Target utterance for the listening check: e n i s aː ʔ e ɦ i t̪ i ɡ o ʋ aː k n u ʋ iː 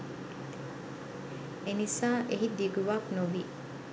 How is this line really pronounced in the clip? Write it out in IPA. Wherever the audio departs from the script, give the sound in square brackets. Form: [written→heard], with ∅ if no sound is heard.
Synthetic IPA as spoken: e n i s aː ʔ e ɦ i [t̪→d̪] i ɡ [o→u] ʋ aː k n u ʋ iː